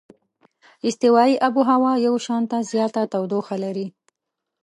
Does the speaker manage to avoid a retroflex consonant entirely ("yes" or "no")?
yes